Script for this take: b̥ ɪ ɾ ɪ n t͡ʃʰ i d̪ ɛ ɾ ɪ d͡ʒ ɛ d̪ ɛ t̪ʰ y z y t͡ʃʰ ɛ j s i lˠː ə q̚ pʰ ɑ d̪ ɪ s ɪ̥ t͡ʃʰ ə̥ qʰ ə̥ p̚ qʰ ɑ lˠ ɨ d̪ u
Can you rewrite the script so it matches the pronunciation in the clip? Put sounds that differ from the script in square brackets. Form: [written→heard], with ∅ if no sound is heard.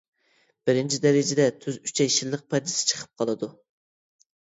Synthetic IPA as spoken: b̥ ɪ ɾ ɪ n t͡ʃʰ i d̪ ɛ ɾ ɪ d͡ʒ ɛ d̪ ɛ t̪ʰ y z y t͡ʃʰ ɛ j [s→ʃ] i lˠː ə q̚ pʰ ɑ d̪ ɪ s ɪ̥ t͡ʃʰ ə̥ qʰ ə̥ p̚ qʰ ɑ lˠ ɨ d̪ u